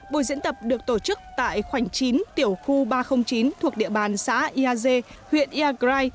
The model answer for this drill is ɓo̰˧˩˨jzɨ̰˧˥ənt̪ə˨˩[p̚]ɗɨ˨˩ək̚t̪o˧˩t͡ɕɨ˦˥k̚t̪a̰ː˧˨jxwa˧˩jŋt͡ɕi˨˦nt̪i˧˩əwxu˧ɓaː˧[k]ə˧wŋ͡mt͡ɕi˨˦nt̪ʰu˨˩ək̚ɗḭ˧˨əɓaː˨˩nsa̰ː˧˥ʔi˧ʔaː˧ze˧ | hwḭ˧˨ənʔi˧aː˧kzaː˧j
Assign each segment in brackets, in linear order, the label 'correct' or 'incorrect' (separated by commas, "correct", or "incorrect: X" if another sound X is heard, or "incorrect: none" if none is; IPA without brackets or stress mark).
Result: correct, incorrect: x